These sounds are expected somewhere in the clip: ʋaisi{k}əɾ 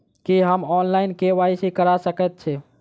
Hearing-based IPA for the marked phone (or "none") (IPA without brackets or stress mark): k